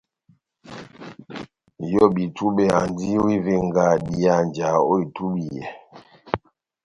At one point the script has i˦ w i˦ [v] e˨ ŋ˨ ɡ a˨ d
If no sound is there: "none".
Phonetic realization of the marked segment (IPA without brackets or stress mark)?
v